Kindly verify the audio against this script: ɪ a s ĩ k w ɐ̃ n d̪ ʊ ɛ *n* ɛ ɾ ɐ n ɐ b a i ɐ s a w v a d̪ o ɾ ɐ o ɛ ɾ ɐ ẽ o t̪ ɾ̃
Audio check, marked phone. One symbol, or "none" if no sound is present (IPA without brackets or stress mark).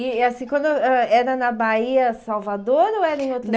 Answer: none